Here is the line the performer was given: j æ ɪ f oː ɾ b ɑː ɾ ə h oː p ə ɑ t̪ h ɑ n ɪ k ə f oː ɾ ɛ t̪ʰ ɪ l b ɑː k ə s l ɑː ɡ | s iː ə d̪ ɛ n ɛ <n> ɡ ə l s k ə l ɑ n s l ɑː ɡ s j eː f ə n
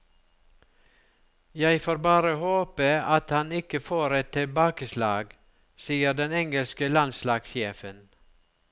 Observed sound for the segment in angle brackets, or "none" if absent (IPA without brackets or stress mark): ŋ